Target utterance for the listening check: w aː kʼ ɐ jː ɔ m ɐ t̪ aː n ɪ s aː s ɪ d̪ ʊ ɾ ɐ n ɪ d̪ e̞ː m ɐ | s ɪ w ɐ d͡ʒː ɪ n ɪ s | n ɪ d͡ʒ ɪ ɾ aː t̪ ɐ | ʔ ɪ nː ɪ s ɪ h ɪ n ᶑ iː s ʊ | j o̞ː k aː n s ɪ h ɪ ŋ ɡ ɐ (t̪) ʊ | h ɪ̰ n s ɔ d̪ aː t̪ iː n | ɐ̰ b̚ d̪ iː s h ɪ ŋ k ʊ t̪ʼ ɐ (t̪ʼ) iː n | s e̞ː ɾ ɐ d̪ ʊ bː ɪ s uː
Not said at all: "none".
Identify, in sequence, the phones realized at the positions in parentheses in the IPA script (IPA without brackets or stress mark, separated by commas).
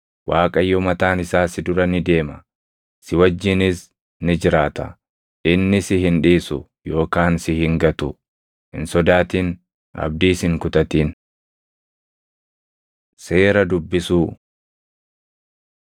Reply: t̪, t̪